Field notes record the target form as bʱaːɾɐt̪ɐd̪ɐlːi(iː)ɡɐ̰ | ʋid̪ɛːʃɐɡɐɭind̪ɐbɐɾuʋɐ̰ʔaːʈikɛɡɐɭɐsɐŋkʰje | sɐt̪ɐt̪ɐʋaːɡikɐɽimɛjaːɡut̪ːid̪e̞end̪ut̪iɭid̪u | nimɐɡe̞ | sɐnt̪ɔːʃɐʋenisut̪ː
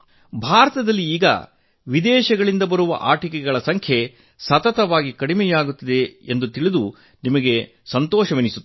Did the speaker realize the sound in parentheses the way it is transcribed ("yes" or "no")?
yes